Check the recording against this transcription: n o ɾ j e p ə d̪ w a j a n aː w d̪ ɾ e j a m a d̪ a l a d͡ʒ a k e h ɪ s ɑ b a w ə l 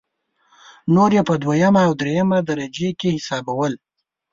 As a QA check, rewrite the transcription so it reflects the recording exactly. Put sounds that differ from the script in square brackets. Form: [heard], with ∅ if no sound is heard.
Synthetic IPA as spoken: n o ɾ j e p ə d̪ w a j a [m] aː w d̪ ɾ e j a m a d̪ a [ɾ] a d͡ʒ [e] k e h ɪ s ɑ b a w ə l